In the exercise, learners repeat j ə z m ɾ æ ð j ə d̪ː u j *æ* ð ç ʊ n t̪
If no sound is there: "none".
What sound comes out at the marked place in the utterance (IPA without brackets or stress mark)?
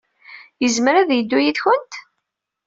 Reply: i